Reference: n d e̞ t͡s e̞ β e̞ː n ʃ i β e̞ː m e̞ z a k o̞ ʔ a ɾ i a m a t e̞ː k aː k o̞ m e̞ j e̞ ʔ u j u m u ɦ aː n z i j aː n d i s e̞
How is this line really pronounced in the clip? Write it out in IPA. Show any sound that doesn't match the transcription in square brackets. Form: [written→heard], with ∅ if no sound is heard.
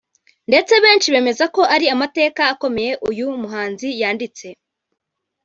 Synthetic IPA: n d e̞ t͡s e̞ β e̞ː n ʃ i β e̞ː m e̞ z a k o̞ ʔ a ɾ i a m a t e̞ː k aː k o̞ m e̞ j e̞ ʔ u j u m u ɦ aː n z i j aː n d i [s→t͡s] e̞

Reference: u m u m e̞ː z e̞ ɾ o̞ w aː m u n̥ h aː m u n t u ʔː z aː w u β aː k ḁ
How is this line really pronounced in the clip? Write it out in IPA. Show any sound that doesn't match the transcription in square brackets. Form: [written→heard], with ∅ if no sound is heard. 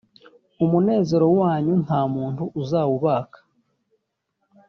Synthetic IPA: u m u [m→n] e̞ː z e̞ ɾ o̞ w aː [m→ɲ] u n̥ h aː m [u→uː] n t u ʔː z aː w u β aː k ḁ

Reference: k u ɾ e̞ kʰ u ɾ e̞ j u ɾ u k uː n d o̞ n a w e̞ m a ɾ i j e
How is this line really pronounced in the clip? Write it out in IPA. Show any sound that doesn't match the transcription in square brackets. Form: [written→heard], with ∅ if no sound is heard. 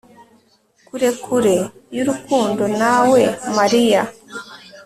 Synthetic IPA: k u ɾ e̞ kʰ u ɾ e̞ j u ɾ u k uː n d o̞ n a w e̞ m a ɾ i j [e→a]

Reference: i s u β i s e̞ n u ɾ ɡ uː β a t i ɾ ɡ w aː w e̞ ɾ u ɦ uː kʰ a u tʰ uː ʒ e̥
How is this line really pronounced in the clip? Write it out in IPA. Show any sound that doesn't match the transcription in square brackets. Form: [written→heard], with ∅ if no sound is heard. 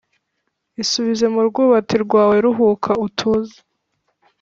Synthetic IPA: i s u β i [s→z] e̞ [n→m] u ɾ ɡ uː β a t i ɾ ɡ w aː w e̞ ɾ u ɦ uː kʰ a u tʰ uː [ʒ→z] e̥

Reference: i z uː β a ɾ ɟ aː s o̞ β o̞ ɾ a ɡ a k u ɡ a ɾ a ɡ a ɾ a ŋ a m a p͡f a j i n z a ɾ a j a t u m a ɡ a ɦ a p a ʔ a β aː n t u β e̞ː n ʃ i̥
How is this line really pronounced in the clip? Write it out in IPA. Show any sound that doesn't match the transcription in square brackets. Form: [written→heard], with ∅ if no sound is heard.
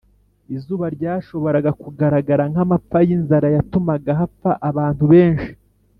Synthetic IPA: i z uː β a ɾ ɟ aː [s→ʃ] o̞ β o̞ ɾ a ɡ a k u ɡ a ɾ a ɡ a ɾ a ŋ a m a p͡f a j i n z a ɾ a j a t u m a ɡ a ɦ a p a ʔ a β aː n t u β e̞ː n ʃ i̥

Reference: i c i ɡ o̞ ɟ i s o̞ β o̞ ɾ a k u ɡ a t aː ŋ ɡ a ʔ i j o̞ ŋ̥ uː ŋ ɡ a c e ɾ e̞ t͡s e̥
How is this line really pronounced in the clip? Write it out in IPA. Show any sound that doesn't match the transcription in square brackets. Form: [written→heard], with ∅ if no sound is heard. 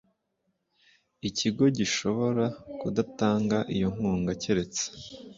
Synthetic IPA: i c i ɡ o̞ ɟ i [s→ʃ] o̞ β o̞ ɾ a k u [ɡ→d] a t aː ŋ ɡ a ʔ i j o̞ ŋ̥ uː ŋ ɡ a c e ɾ e̞ t͡s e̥

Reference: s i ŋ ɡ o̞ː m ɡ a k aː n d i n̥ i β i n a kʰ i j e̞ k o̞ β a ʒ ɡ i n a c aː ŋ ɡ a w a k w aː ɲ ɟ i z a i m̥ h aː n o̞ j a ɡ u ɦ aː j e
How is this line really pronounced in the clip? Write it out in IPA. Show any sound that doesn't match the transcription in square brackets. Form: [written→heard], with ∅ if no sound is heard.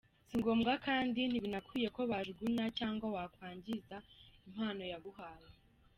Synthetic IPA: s i ŋ ɡ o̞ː m ɡ a k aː n d i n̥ i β i n a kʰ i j e̞ k o̞ β a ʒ ɡ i n a c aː ŋ ɡ a w a k w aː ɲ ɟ i z a i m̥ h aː n o̞ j a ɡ u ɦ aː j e

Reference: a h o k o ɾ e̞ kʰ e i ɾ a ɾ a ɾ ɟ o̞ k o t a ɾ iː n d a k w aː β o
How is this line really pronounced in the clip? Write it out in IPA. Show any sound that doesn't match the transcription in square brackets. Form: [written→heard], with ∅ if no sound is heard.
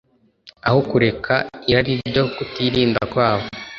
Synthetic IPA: a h o k [o→u] ɾ e̞ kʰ [e→a] i ɾ a ɾ [a→i] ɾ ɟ o̞ k [o→u] t [a→i] ɾ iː n d a k w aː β o

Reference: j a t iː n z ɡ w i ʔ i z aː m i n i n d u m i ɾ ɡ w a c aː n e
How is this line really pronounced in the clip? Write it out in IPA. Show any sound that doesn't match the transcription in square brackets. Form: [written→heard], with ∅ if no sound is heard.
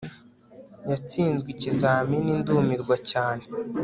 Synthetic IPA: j a [t→t͡s] iː n z ɡ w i [ʔ→c] i z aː m i n i n d u m i ɾ ɡ w a c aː n e

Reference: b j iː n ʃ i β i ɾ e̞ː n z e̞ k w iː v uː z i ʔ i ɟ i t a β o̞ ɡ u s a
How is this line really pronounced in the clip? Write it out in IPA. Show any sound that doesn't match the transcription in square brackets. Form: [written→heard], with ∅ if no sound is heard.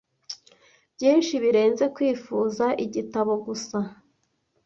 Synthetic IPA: b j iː n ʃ i β i ɾ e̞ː n z e̞ k w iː [v→f] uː z [i→a] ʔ i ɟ i t a β o̞ ɡ u s a

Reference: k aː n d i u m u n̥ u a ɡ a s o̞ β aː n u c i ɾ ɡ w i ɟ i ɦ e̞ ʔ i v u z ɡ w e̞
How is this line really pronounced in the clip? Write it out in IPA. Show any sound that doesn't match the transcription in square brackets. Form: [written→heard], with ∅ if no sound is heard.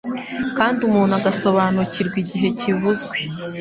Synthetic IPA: k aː n d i u m [u→uː] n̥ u a ɡ a s o̞ β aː n u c i ɾ ɡ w i ɟ i ɦ e̞ [ʔ→c] i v u z ɡ w e̞

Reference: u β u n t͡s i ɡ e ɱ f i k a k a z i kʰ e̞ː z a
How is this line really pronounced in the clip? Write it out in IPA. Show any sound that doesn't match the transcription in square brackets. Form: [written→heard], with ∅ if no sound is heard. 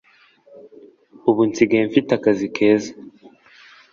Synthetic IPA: u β u n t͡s i ɡ e ɱ f i [k→t] a k a z i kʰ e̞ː z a

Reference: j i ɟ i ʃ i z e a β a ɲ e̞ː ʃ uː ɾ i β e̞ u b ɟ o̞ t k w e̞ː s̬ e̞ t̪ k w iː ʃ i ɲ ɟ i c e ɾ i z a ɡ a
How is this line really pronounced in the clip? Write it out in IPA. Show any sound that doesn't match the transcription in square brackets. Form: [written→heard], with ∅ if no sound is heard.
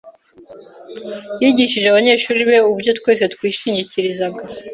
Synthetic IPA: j i ɟ i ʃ i [z→ʒ] e a β a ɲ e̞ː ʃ uː ɾ i β e̞ u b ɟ o̞ t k w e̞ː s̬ e̞ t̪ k w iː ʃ i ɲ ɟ i c [e→i] ɾ i z a ɡ a

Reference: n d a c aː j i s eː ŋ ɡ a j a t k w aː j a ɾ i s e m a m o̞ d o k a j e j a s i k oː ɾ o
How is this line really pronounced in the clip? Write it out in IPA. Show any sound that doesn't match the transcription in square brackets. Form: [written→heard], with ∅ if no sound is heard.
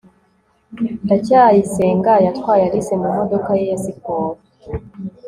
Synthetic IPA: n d a c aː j i s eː ŋ ɡ a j a t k w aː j a ɾ i s e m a m o̞ d o k a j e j a s i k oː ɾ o

